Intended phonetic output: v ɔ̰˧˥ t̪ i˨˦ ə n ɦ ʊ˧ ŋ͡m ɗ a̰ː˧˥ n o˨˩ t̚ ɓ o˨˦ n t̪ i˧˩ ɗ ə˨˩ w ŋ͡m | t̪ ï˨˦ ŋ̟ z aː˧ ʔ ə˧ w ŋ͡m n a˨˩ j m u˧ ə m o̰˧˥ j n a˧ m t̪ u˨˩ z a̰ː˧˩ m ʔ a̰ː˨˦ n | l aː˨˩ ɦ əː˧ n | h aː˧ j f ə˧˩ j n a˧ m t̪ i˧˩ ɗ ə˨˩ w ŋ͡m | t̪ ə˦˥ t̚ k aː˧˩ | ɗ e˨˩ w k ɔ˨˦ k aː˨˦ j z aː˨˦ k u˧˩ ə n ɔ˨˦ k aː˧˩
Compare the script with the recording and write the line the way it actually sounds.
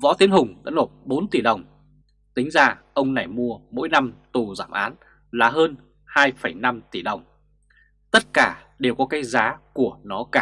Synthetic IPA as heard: v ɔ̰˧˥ t̪ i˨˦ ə n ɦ ʊ˨˩ ŋ͡m ɗ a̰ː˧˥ n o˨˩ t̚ ɓ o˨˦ n t̪ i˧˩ ɗ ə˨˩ w ŋ͡m | t̪ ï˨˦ ŋ̟ z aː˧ ʔ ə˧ w ŋ͡m n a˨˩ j m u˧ ə m o̰˧˥ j n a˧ m t̪ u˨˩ z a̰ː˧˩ m ʔ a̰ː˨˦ n | l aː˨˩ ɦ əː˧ n | h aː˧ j f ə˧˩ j n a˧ m t̪ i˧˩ ɗ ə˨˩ w ŋ͡m | t̪ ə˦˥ t̚ k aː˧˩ | ɗ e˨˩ w k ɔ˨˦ k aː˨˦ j z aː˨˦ k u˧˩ ə n ɔ˨˦ k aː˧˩